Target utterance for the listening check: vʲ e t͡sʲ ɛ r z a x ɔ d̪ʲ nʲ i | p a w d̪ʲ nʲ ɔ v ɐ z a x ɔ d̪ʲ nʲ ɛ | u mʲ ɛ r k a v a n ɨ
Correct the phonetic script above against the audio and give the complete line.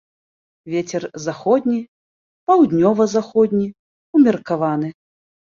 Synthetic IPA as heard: vʲ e t͡sʲ ɛ r z a x ɔ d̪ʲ nʲ i | p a w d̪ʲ nʲ ɔ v ɐ z a x ɔ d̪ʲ nʲ i | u mʲ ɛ r k a v a n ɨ